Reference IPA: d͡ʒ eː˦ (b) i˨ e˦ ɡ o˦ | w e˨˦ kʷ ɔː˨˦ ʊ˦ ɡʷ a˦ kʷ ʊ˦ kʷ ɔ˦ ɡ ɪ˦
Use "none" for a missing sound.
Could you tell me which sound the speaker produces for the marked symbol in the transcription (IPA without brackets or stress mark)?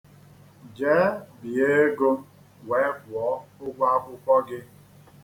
b